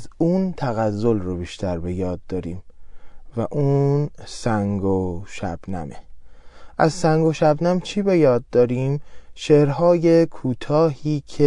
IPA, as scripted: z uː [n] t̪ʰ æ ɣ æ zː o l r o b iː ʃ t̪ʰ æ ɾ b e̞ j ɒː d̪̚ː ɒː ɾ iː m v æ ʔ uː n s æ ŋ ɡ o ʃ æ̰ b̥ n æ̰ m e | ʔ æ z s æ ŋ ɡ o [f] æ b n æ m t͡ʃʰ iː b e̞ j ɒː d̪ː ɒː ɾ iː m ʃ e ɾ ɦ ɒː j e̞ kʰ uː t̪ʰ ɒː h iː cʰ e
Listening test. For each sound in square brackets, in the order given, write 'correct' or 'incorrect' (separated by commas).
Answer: correct, incorrect